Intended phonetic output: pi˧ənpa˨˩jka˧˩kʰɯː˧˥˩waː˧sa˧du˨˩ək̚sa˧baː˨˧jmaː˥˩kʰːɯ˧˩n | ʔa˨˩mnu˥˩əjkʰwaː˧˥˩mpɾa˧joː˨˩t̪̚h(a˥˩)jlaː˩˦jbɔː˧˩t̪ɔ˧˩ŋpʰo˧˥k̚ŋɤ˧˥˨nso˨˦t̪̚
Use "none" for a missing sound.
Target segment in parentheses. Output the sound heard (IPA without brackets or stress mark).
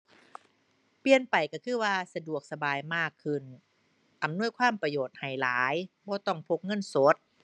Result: a˨˩